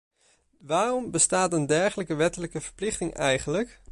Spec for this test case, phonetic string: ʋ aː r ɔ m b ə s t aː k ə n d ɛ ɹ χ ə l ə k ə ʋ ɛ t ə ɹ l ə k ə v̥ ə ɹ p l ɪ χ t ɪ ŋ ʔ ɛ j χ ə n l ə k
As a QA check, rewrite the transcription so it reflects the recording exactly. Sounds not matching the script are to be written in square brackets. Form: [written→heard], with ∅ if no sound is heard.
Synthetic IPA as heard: ʋ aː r ɔ m b ə s t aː [k→t] ə n d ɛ ɹ χ ə l ə k ə ʋ ɛ t ə [ɹ→∅] l ə k ə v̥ ə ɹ p l ɪ χ t ɪ ŋ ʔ ɛ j χ ə n l ə k